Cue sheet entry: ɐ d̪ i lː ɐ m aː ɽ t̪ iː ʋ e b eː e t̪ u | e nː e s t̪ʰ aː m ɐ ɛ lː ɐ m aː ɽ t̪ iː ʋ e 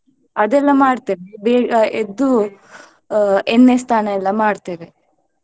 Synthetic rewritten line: ɐ d̪ ɛ lː ɐ m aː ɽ t̪ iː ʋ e b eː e d̪ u | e nː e s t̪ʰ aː n ɐ ɛ lː ɐ m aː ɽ t̪ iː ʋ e